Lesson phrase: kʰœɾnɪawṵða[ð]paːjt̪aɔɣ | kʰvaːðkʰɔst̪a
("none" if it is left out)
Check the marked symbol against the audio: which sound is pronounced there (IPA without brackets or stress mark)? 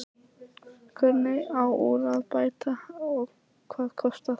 ð